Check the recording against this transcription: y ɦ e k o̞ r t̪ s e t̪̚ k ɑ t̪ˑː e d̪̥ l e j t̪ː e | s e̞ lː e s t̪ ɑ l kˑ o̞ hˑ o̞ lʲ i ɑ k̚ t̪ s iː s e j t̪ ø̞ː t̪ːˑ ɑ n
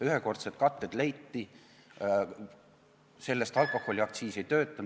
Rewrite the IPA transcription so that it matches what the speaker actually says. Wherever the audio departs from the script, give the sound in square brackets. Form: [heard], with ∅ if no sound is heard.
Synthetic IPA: y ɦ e k o̞ r t̪ s e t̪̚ k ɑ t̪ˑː e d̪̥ l e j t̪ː [i] | s e̞ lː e s t̪ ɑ l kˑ o̞ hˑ o̞ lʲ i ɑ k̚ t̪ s iː s e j t̪ ø̞ː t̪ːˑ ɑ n